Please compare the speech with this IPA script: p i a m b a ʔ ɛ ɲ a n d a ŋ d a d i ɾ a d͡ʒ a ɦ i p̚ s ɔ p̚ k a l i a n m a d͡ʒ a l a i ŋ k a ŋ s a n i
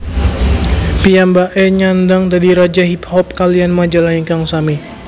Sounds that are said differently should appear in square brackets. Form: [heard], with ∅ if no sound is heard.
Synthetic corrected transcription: p i a m b a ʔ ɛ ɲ a n d a ŋ d a d i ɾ a d͡ʒ a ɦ i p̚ [h] ɔ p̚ k a l i a n m a d͡ʒ a l a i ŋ k a ŋ s a [m] i